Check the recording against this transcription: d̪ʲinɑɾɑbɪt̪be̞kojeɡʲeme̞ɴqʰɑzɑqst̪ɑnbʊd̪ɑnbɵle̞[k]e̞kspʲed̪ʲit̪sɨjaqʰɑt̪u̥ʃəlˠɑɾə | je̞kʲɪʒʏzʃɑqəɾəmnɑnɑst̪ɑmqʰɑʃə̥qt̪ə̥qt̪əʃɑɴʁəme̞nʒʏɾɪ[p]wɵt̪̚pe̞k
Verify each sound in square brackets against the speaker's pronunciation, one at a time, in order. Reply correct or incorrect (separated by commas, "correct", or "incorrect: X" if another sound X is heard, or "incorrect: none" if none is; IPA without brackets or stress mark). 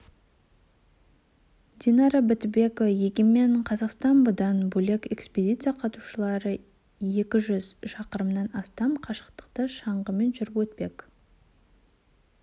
correct, correct